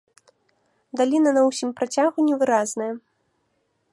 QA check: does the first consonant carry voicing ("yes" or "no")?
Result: yes